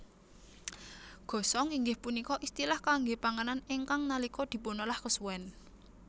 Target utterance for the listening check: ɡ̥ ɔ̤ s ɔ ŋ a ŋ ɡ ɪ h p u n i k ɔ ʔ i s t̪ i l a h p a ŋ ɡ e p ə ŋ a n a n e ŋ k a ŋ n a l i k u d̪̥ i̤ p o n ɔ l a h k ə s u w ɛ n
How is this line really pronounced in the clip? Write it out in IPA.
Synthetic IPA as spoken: ɡ̥ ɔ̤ s ɔ ŋ i ŋ ɡ ɪ h p u n i k ɔ ʔ i s t̪ i l a h k a ŋ ɡ e p a ŋ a n a n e ŋ k a ŋ n a l i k ɔ d̪̥ i̤ p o n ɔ l a h k ə s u w ɛ n